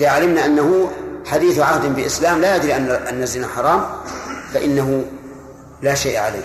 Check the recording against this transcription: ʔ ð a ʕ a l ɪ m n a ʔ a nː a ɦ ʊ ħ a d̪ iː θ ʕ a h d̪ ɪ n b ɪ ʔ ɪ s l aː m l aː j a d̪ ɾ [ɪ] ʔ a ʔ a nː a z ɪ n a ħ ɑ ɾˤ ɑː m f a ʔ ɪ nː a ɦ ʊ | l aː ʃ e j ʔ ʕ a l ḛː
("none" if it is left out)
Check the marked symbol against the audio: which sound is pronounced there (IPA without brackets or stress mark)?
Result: i